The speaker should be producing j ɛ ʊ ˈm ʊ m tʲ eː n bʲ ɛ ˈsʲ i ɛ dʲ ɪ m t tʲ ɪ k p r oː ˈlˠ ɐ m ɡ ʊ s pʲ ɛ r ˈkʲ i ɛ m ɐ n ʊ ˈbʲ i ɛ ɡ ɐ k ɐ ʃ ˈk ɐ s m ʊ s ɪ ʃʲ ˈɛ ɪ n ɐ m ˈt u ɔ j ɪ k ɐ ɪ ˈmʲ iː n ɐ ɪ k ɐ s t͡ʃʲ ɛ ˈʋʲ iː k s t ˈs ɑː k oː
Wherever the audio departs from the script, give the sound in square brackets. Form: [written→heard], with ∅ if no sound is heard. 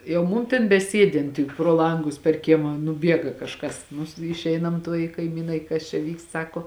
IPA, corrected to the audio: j ɛ ʊ ˈm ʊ m tʲ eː n bʲ ɛ ˈsʲ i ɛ dʲ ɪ [m→n] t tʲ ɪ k p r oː ˈlˠ ɐ [m→ŋ] ɡ ʊ s pʲ ɛ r ˈkʲ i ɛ m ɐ n ʊ ˈbʲ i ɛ ɡ ɐ k ɐ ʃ ˈk ɐ s [m→n] ʊ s ɪ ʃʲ ˈɛ ɪ n ɐ m ˈt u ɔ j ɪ k ɐ ɪ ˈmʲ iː n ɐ ɪ k ɐ s t͡ʃʲ ɛ ˈʋʲ iː k s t ˈs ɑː k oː